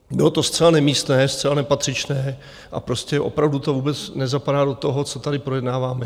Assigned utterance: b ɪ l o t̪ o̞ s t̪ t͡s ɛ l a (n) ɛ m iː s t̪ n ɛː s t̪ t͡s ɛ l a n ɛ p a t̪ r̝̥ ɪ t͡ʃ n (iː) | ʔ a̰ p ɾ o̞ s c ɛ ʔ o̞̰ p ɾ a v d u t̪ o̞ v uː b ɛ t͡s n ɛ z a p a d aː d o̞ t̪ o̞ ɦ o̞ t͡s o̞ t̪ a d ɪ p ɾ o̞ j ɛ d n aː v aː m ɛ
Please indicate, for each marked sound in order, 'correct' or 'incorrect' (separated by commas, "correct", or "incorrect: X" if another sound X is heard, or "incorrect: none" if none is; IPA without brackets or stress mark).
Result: correct, incorrect: ɛː